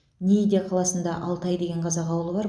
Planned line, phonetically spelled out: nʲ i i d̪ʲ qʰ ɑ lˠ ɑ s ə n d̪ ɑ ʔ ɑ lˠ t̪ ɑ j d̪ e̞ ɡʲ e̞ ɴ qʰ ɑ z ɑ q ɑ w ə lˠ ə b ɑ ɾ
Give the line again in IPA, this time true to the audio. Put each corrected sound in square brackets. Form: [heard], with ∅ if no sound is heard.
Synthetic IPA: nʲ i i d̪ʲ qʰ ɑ lˠ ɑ s ə n d̪ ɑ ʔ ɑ lˠ t̪ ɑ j d̪ e̞ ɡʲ e̞ ɴ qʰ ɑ z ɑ q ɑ w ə lˠ ə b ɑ ɾ

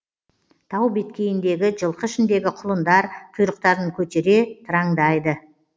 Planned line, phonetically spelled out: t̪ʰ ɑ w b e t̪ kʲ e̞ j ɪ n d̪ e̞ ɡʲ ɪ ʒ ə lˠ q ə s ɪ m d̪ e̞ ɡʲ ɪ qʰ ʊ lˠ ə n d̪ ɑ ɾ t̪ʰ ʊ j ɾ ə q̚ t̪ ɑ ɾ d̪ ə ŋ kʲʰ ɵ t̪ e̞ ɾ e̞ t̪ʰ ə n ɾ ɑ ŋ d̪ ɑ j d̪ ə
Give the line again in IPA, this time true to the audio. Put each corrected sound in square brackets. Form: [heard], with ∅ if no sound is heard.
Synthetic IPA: t̪ʰ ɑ w b e t̪ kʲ e̞ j ɪ n d̪ e̞ ɡʲ ɪ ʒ ə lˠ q ə [ʃ] ɪ [n] d̪ e̞ ɡʲ ɪ qʰ ʊ lˠ ə n d̪ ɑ ɾ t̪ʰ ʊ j ɾ ə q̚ t̪ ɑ ɾ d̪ ə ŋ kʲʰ ɵ t̪ e̞ ɾ e̞ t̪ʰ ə [∅] ɾ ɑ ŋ d̪ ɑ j d̪ ə

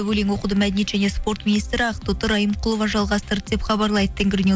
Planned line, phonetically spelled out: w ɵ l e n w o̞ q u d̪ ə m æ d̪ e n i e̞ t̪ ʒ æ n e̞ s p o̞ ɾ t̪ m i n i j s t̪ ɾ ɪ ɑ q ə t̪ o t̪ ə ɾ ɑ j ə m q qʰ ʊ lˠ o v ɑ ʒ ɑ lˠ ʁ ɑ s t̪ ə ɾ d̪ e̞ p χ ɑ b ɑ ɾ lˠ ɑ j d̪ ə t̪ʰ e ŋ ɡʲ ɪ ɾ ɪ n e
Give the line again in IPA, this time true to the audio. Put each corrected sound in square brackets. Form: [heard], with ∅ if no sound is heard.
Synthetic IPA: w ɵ l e [ŋ] w o̞ q u d̪ ə m æ d̪ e n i e̞ t̪ ʒ æ n e̞ s p o̞ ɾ t̪ m i n i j s t̪ ɾ ɪ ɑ q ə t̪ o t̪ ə ɾ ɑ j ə m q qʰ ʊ lˠ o v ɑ ʒ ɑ lˠ ʁ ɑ s t̪ ə ɾ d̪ e̞ p χ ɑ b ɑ ɾ lˠ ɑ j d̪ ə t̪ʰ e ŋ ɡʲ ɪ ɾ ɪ n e

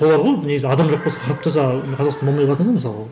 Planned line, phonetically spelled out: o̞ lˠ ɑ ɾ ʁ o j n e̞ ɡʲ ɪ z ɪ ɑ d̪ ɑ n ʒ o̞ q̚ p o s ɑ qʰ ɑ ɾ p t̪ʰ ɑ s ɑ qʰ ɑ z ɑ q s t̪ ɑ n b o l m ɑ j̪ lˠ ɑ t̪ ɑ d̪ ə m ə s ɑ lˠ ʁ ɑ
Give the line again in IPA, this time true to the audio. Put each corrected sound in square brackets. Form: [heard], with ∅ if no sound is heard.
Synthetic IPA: o̞ lˠ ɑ ɾ ʁ o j n e̞ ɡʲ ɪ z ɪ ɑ d̪ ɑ [m] ʒ o̞ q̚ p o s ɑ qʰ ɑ ɾ p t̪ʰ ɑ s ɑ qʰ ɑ z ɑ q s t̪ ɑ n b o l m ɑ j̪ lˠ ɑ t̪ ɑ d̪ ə m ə s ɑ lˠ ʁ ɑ

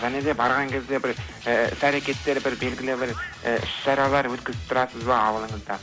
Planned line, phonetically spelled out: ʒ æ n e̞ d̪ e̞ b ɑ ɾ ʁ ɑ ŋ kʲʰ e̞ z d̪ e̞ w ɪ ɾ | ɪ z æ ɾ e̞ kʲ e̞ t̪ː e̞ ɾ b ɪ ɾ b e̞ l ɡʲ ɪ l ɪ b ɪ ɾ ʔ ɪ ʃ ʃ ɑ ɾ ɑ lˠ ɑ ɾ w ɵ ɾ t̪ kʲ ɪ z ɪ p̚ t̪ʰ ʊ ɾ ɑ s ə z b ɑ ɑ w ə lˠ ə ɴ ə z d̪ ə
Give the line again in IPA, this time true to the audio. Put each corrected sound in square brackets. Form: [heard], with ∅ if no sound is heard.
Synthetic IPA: ʒ æ n e̞ d̪ e̞ b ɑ ɾ ʁ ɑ ŋ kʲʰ e̞ z d̪ e̞ [b] ɪ ɾ | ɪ [s] æ ɾ e̞ kʲ e̞ t̪ː e̞ ɾ b ɪ ɾ b e̞ l ɡʲ ɪ l ɪ b ɪ ɾ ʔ ɪ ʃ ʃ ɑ ɾ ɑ lˠ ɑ ɾ w ɵ [∅] t̪ kʲ ɪ z ɪ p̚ t̪ʰ ʊ ɾ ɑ s ə z b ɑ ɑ w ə lˠ ə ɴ ə z d̪ [ɑ]

